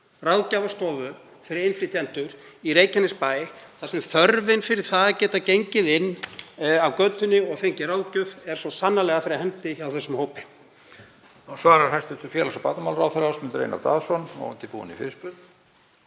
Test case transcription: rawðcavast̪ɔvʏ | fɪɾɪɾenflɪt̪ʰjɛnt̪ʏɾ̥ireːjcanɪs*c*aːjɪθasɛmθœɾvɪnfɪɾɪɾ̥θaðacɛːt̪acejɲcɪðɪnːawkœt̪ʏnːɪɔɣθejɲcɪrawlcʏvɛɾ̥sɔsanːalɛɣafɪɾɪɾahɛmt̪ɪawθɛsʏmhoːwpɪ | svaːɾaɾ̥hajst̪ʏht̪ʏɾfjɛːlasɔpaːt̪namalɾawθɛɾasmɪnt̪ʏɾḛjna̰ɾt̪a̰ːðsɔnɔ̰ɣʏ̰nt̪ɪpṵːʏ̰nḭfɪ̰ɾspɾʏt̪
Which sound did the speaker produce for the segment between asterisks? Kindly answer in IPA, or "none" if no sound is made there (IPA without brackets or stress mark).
p